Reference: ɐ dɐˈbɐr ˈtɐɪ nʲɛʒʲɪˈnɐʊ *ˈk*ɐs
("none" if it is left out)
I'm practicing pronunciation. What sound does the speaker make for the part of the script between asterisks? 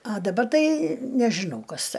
k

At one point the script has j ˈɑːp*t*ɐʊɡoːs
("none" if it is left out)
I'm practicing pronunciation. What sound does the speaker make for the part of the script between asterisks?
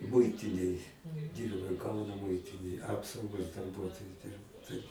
s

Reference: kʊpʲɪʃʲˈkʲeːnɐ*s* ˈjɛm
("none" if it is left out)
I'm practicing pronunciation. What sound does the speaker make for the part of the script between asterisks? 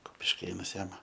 s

